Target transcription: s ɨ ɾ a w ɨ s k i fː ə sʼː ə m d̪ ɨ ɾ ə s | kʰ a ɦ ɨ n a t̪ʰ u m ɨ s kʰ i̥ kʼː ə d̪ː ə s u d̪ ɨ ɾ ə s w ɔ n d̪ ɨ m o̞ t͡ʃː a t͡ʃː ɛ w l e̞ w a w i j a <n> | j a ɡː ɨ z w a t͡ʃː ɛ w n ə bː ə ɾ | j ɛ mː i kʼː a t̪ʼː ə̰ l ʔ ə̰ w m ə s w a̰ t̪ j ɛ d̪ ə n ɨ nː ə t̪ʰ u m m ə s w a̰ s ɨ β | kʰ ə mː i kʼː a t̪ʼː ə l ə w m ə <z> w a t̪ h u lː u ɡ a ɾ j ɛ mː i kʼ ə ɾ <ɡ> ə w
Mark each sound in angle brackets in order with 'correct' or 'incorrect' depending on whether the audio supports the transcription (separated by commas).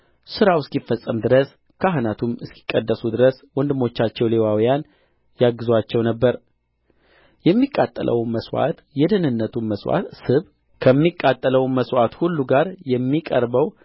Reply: correct, incorrect, incorrect